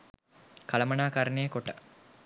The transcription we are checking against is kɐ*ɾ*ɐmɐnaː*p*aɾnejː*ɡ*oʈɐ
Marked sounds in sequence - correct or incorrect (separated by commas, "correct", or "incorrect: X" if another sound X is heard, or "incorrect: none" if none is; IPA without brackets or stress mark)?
incorrect: l, incorrect: k, incorrect: k